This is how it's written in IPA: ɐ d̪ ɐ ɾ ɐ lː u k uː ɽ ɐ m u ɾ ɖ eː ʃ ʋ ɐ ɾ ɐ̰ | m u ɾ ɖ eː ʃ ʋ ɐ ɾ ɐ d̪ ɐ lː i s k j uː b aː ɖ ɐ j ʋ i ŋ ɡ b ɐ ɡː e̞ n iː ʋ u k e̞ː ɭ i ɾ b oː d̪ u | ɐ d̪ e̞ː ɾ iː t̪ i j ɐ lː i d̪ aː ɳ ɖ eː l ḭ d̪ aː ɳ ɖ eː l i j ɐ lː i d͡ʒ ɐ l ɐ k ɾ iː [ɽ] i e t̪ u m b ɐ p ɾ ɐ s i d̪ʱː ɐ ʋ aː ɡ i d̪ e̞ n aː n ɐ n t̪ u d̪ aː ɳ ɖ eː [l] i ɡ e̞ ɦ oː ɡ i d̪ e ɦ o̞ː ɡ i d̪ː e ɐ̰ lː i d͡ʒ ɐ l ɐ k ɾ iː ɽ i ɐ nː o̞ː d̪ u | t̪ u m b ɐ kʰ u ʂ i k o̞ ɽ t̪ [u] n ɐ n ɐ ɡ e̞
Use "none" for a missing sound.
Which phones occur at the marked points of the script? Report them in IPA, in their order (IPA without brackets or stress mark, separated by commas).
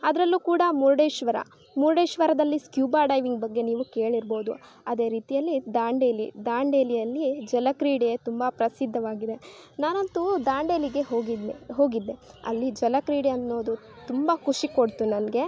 ɽ, l, u